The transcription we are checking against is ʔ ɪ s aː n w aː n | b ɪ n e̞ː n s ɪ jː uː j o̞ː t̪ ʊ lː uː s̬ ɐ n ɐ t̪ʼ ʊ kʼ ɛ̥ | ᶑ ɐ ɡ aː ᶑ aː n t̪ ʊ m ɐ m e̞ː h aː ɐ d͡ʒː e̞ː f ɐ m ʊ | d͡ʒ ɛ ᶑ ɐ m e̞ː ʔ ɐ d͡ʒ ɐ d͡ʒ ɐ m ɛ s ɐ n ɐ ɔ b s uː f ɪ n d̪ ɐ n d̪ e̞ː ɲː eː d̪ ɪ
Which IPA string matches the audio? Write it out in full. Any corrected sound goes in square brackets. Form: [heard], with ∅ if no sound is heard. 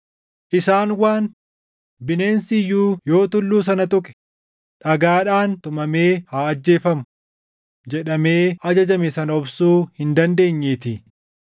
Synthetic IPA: ʔ ɪ s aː n w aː n | b ɪ n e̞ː n s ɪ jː uː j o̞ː t̪ ʊ lː uː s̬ ɐ n ɐ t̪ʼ ʊ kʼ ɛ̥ | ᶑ ɐ ɡ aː ᶑ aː n t̪ ʊ m ɐ m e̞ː h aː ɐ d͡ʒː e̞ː f ɐ m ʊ | d͡ʒ ɛ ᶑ ɐ m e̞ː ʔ ɐ d͡ʒ ɐ d͡ʒ ɐ m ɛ s ɐ n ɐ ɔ b s uː [h] ɪ n d̪ ɐ n d̪ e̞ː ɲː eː [t̪] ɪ